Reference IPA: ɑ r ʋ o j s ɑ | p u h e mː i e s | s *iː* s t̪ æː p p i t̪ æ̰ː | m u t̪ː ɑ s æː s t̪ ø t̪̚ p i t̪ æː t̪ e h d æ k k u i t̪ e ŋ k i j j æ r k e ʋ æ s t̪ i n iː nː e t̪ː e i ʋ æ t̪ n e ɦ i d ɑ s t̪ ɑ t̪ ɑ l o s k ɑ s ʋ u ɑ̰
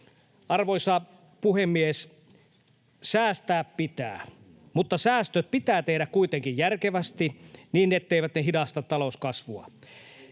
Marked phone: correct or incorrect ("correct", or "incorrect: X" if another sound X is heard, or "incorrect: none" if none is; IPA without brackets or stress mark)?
incorrect: æː